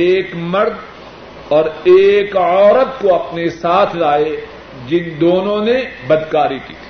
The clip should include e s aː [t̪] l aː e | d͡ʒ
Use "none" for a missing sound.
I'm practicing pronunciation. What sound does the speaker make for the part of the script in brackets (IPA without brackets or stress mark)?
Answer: t̪ʰ